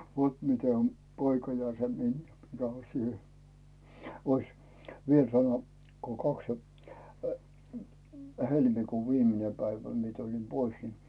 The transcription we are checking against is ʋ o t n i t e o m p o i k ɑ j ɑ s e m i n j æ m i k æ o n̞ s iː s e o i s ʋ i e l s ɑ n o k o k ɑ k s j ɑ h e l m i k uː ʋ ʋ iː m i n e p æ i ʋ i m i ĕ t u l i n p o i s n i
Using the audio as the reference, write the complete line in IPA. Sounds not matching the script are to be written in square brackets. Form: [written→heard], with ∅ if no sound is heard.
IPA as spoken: ʋ o t [n→m] i t e o m p o i k ɑ j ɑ s e m i n j æ m i k æ o n̞ s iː [s→h] e o i s ʋ i e l s ɑ n o k o k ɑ k s j ɑ h e l m i k uː ʋ ʋ iː m i n e p æ i ʋ [i→æ] m i ĕ t u l i n p o i s n i